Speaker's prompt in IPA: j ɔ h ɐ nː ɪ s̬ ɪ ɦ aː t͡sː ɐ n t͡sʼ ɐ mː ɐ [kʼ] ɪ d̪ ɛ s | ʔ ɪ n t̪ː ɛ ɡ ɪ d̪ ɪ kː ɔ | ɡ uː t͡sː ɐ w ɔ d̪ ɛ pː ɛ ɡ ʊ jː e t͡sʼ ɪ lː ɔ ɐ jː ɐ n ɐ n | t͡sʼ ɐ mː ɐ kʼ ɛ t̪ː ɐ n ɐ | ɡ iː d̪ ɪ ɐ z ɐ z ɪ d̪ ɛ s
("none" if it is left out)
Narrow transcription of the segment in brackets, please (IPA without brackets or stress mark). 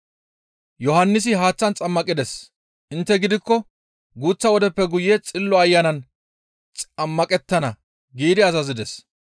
kʼ